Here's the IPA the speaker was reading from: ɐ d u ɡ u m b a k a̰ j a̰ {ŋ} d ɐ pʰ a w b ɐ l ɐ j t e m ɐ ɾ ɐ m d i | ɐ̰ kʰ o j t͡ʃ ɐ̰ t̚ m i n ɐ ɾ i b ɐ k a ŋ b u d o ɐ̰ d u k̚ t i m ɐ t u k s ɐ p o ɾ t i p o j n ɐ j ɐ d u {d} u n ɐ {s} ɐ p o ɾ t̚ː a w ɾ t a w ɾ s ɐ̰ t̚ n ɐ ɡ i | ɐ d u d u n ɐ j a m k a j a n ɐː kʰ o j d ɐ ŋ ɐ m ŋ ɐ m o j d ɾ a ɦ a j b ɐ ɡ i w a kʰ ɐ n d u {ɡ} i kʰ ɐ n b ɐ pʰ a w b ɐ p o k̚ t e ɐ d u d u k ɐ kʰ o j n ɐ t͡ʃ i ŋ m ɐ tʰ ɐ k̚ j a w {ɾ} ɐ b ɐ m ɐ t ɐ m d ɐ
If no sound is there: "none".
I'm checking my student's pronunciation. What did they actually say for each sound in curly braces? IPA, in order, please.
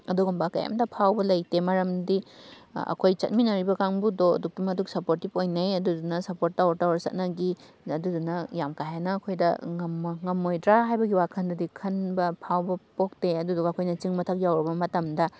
m, d, s, d, ɾ

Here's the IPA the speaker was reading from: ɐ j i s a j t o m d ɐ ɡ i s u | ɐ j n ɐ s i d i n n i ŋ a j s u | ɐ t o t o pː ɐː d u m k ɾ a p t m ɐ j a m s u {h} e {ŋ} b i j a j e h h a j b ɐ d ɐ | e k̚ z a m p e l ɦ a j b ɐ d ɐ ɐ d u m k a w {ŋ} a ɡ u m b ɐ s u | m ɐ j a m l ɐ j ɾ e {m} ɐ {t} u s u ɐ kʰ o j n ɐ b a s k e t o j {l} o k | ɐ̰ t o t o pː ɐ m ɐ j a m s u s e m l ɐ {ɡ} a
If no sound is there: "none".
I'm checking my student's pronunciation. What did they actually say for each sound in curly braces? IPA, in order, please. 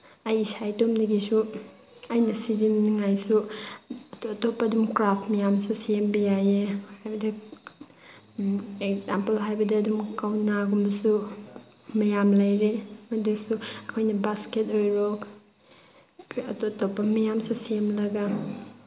s, m, n, m, d, ɾ, ɡ

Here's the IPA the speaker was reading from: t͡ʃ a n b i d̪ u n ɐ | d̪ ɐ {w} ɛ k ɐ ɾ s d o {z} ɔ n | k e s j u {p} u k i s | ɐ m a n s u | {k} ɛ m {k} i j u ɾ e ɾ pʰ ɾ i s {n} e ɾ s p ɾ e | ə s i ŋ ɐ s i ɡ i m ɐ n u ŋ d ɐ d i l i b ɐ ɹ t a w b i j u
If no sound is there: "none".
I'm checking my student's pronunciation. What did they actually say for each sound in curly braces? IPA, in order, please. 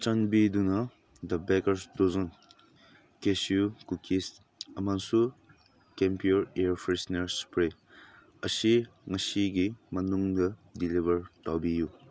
b, z, k, k, p, n

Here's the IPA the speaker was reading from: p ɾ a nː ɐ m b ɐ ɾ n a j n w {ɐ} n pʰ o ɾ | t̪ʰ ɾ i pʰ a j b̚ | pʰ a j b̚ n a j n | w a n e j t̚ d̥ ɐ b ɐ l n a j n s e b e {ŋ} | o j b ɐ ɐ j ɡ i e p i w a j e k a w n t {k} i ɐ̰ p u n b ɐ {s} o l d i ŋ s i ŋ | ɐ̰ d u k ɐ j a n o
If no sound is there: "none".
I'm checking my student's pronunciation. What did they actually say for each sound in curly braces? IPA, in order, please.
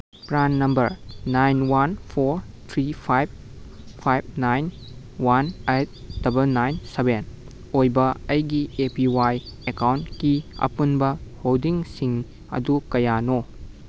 a, n, k, h

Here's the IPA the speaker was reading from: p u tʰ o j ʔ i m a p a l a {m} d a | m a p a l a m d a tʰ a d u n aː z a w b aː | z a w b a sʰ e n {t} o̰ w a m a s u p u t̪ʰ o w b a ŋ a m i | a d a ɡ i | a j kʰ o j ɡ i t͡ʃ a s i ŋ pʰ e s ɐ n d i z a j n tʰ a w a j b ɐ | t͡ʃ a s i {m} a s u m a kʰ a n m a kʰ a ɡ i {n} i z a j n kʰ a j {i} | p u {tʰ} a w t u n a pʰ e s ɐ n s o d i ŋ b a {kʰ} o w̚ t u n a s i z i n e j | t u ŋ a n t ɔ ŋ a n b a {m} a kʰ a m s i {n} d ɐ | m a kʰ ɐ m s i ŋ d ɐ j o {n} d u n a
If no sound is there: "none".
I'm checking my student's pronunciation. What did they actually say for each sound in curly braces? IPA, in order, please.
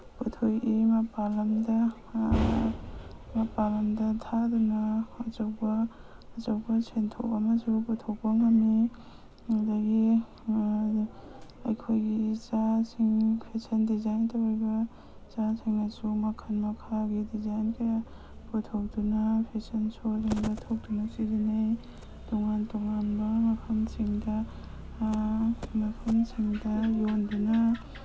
m, tʰ, ŋ, d, a, tʰ, tʰ, m, ŋ, n

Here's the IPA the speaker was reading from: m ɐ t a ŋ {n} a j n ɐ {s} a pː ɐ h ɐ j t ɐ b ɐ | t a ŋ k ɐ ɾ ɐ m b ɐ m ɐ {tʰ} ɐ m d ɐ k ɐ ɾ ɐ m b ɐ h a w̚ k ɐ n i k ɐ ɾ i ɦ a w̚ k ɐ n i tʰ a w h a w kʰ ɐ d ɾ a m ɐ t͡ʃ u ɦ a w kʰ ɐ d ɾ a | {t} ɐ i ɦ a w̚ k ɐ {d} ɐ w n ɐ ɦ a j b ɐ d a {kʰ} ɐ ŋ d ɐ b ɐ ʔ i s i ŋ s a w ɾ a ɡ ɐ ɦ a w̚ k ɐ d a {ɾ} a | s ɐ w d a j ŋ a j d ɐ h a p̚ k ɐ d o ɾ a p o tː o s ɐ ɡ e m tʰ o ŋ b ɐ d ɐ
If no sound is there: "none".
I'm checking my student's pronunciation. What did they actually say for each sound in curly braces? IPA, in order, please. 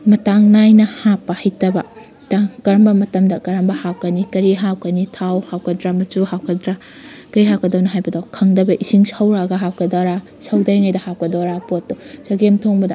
n, h, t, k, d, kʰ, ɾ

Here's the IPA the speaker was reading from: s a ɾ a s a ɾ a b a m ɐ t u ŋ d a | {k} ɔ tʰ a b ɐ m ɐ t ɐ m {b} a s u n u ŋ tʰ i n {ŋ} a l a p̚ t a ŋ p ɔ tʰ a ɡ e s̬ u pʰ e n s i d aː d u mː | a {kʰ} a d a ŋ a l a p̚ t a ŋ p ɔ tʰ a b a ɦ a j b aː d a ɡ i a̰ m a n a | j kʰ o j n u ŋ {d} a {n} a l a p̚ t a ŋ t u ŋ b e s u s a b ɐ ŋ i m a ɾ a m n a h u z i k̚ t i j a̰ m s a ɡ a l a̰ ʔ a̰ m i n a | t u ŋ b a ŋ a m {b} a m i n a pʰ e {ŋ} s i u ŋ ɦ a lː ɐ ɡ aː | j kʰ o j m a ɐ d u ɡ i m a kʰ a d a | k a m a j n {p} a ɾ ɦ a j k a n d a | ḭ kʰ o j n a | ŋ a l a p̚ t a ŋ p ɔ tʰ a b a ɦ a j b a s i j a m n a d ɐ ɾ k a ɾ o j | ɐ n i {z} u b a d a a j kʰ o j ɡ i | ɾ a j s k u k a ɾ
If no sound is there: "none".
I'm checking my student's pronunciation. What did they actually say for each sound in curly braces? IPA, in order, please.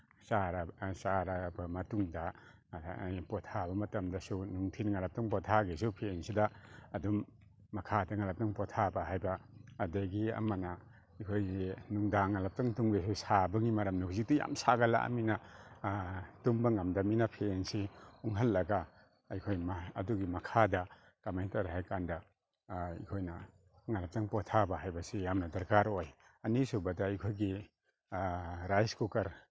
p, d, ŋ, kʰ, d, ŋ, d, n, t, s

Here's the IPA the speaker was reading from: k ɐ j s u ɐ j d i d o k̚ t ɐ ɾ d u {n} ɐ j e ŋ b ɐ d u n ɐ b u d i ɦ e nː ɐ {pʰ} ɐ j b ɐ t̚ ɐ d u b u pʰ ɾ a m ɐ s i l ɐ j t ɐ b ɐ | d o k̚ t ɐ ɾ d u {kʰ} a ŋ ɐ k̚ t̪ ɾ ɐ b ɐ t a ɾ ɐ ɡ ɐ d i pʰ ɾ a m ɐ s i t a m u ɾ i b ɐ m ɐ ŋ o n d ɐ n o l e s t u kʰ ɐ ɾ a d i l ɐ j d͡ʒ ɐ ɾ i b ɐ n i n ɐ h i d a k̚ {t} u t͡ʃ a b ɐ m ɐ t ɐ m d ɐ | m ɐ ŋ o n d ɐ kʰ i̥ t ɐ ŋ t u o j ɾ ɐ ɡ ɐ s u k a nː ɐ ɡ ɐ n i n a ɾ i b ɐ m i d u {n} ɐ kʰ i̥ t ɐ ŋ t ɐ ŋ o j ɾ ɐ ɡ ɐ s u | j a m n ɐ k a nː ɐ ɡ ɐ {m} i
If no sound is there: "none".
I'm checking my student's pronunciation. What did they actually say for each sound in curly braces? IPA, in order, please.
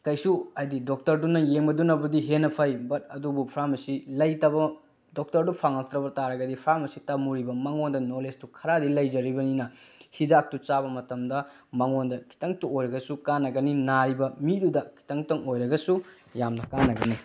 n, pʰ, pʰ, t, d, n

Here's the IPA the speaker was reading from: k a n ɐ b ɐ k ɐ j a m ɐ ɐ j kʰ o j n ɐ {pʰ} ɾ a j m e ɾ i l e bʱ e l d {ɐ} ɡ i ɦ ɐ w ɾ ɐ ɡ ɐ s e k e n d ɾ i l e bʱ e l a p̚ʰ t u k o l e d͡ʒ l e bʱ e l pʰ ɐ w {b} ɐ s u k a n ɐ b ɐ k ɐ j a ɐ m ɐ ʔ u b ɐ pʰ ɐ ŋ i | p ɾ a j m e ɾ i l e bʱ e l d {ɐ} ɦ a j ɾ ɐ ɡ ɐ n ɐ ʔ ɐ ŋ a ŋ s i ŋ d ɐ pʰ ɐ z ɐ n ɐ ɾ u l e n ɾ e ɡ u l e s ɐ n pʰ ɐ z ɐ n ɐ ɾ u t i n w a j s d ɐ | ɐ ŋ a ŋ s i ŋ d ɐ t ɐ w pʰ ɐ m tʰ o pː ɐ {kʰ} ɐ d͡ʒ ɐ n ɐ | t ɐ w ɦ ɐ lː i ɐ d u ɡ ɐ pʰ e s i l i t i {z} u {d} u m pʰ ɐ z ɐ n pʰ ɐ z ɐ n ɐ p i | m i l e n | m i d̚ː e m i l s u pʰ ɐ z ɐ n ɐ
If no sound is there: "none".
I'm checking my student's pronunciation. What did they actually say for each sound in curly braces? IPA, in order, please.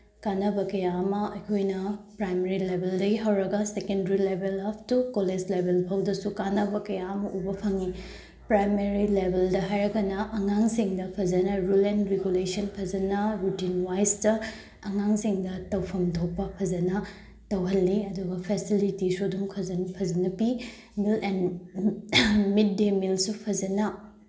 p, ɐ, d, ɐ, pʰ, s, d

